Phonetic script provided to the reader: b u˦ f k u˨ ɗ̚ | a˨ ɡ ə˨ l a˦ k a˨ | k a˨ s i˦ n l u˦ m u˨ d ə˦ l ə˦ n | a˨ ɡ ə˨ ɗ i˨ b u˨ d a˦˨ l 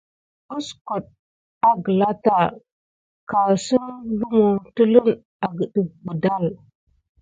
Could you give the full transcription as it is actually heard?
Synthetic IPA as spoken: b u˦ s k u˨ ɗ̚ | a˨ ɡ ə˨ l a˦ t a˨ | k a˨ s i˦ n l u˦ m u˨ t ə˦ l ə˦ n | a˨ ɡ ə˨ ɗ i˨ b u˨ d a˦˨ l